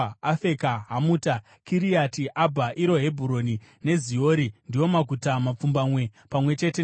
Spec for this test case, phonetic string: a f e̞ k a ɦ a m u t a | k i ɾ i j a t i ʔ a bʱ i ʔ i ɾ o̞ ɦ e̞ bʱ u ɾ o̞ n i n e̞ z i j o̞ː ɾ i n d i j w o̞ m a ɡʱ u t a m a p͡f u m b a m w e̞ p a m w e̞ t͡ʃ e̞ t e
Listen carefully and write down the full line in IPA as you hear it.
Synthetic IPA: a f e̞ k a ɦ a m u t a | k i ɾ i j a t i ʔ a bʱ a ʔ i ɾ o̞ ɦ e̞ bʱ u ɾ o̞ n i n e̞ z i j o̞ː ɾ i n d i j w o̞ m a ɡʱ u t a m a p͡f u m b a m w e̞ p a m w e̞ t͡ʃ e̞ t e